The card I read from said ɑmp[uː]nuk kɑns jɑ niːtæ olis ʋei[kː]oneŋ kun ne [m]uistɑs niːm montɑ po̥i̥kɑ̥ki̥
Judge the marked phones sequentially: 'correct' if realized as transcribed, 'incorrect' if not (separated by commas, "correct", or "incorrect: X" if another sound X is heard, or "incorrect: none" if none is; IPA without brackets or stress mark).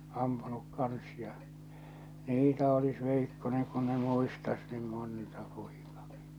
incorrect: u, correct, correct